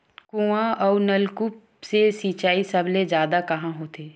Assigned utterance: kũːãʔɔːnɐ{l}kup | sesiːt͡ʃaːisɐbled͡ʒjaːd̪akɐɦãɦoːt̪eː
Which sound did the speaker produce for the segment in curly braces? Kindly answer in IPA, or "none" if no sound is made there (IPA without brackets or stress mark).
l